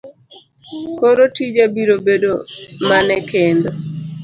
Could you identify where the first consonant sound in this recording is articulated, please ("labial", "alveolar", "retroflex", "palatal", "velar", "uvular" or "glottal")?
velar